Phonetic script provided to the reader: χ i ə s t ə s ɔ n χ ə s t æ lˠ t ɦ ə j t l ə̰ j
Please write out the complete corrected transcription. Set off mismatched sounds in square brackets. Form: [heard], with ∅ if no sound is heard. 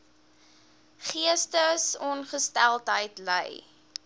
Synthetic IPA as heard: χ i ə s t ə s ɔ n χ ə s t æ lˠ t ɦ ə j t l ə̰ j